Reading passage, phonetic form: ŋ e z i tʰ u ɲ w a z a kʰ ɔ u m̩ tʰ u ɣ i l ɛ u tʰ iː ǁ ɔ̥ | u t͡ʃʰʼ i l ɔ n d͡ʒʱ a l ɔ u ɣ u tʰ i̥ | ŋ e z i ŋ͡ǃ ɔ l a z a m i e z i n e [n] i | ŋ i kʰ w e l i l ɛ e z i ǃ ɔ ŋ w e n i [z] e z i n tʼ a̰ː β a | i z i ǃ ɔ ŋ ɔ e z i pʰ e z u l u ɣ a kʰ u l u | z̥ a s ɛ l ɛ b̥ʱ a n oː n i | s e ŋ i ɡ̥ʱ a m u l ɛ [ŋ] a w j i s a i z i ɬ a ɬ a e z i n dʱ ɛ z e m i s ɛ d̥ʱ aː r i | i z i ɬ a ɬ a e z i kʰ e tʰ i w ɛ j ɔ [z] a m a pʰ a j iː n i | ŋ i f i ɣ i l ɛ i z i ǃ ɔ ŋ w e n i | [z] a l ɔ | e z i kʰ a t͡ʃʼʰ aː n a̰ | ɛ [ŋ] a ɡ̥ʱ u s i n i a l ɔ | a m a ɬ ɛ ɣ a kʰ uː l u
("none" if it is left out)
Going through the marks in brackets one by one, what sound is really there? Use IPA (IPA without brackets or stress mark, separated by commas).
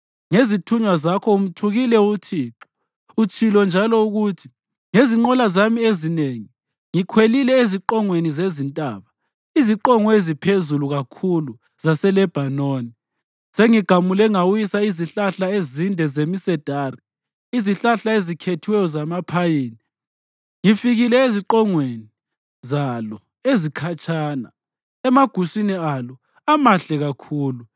ŋ, z, ŋ, z, z, m